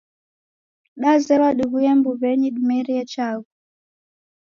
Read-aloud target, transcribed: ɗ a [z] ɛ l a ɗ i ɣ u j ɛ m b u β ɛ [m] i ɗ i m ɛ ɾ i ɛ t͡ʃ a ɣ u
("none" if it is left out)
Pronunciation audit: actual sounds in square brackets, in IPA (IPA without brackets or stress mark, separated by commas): z, ɲ